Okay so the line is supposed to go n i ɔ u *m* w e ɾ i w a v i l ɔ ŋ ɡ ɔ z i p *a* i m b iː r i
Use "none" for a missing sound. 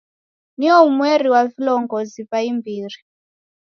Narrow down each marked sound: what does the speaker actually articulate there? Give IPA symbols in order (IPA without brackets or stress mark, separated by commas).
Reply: m, a